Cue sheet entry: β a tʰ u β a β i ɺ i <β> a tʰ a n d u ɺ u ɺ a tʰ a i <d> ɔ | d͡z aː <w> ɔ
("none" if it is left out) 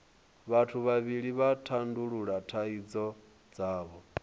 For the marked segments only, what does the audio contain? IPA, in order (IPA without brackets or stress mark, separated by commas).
β, d͡z, β